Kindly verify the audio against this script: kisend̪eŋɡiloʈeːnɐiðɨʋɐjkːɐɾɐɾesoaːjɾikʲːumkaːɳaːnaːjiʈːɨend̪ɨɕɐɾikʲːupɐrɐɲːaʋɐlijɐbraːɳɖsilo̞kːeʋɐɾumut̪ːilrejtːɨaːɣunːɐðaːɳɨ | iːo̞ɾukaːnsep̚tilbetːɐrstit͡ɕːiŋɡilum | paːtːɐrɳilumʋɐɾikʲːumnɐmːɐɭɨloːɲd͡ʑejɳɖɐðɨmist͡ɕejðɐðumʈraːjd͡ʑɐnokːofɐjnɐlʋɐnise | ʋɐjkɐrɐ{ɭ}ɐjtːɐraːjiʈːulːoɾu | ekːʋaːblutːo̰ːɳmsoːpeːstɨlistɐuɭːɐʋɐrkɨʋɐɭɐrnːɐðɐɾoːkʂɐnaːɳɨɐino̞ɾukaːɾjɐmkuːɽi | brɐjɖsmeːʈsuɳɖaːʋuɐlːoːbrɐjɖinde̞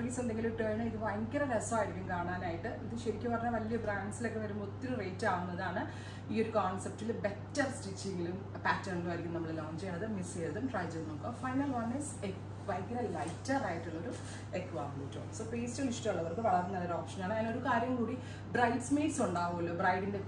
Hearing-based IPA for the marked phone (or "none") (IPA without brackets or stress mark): l